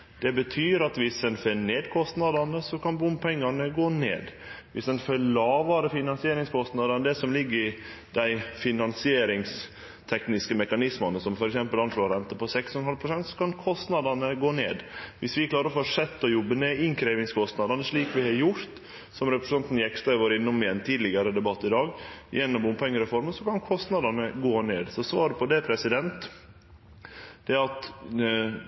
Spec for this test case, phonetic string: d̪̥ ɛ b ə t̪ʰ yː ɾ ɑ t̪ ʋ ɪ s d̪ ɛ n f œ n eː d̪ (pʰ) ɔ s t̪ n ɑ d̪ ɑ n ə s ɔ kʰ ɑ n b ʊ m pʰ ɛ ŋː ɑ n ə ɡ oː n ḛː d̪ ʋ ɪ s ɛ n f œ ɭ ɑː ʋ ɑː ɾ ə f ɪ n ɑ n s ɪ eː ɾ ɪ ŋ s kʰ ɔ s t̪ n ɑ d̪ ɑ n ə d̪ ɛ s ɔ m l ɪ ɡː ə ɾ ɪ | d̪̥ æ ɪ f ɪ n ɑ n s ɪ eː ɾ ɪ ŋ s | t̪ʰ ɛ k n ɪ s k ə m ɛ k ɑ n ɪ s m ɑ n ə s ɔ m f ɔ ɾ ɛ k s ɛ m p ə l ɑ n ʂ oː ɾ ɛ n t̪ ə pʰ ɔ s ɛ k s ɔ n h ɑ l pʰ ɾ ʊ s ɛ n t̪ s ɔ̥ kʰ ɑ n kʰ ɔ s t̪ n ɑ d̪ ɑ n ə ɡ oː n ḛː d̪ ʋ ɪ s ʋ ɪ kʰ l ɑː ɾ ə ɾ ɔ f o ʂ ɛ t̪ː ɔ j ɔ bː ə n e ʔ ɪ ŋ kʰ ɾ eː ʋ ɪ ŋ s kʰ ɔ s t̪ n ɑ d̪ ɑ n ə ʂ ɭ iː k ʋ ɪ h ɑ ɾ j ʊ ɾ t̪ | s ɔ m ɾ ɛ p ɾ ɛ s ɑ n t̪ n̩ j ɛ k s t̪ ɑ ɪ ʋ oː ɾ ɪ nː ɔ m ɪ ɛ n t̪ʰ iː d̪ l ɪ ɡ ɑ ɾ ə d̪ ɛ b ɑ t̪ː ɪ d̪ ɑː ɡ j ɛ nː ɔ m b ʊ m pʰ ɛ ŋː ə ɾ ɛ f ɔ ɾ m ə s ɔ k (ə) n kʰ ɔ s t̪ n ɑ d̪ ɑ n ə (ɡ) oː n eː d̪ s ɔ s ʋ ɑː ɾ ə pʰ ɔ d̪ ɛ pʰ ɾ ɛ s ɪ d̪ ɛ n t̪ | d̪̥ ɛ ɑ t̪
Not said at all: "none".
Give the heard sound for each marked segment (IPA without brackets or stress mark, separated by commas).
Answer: kʰ, ɑ, ɡ